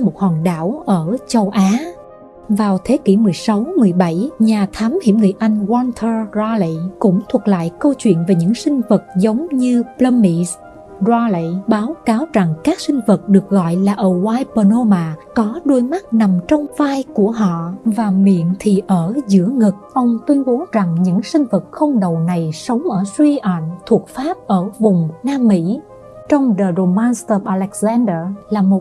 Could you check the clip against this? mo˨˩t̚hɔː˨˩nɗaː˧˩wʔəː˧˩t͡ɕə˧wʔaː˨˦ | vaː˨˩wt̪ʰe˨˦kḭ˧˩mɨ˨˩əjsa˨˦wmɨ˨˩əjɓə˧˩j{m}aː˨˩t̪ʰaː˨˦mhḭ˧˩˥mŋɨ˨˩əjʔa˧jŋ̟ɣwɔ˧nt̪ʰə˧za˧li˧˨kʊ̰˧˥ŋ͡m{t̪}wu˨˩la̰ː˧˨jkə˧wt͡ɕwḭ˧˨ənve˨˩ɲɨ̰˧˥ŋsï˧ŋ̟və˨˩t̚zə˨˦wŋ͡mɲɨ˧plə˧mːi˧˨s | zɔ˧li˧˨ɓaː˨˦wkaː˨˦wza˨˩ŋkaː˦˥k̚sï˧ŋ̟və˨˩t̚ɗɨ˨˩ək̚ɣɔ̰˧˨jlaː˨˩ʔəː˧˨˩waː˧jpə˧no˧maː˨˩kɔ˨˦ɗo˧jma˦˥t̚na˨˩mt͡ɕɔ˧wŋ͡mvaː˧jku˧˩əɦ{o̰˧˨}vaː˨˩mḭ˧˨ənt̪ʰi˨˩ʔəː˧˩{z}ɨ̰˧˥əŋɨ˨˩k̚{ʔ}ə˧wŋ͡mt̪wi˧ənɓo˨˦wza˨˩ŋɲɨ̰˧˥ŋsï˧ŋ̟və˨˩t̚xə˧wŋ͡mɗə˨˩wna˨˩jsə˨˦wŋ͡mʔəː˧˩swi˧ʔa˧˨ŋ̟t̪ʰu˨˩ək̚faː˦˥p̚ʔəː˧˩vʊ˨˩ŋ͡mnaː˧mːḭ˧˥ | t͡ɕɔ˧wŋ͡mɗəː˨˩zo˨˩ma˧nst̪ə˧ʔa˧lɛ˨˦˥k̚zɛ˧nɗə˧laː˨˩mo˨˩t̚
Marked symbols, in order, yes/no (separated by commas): no, no, no, yes, yes